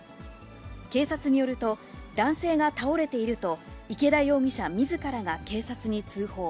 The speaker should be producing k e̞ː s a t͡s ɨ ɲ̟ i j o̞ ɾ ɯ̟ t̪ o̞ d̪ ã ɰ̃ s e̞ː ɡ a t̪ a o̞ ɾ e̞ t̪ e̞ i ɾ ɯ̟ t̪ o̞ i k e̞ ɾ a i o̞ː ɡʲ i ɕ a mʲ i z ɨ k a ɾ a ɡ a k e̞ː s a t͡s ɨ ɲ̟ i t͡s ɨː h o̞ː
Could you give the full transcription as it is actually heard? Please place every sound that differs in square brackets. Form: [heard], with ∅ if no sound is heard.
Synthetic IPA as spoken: k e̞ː s a t͡s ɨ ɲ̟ i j o̞ ɾ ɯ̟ t̪ o̞ d̪ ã ɰ̃ s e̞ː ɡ a t̪ a o̞ ɾ e̞ t̪ e̞ i ɾ ɯ̟ t̪ o̞ i k e̞ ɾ a i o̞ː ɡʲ i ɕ a mʲ i z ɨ k a ɾ a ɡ a k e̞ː s a t͡s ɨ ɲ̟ i t͡s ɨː h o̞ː